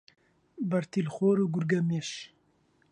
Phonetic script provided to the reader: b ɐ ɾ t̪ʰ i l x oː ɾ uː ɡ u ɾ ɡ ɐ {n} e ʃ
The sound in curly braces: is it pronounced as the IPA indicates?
no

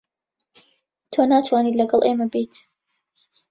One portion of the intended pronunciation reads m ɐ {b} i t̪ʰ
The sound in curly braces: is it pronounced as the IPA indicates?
yes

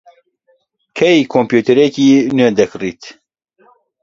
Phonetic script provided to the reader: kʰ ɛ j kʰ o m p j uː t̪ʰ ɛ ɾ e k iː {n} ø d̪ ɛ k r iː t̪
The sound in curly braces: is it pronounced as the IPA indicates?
yes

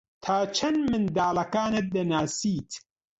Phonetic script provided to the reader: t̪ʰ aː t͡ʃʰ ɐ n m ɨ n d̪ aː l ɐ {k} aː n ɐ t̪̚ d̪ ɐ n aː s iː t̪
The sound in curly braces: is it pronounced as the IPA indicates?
yes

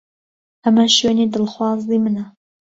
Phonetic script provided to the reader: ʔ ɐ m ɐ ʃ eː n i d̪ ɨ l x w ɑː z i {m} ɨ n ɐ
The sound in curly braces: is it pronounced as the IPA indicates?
yes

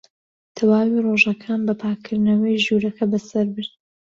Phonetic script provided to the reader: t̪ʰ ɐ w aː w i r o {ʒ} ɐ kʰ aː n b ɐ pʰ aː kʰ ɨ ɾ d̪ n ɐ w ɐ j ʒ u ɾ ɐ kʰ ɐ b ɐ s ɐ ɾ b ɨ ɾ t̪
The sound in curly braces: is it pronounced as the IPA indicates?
yes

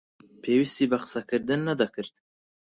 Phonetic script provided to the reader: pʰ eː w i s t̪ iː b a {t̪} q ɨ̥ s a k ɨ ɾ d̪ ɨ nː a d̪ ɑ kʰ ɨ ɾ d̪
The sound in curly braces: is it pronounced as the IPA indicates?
no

